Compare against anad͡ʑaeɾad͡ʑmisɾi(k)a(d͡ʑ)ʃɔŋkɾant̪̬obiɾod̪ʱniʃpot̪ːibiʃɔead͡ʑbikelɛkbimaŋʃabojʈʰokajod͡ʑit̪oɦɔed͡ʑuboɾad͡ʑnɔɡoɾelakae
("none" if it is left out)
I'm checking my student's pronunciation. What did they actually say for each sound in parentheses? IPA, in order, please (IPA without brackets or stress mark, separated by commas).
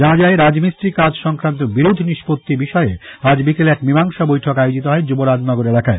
k, d͡ʑ